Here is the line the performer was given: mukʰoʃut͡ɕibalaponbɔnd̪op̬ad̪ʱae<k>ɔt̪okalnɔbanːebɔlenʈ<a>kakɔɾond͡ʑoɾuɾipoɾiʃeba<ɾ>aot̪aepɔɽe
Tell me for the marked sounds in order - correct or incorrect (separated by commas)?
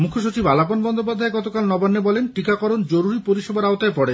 incorrect, incorrect, correct